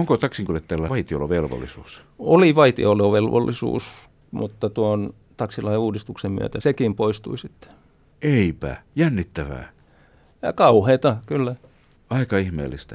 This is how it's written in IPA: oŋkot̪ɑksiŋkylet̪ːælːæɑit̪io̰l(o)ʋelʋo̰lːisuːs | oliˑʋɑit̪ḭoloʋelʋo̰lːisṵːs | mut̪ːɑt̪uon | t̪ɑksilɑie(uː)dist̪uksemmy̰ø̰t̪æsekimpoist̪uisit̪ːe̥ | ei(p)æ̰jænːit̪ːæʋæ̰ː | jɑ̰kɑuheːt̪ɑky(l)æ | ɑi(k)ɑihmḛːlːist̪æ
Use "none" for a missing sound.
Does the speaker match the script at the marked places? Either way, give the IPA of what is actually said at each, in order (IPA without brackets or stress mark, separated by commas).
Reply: o, uː, p, lː, k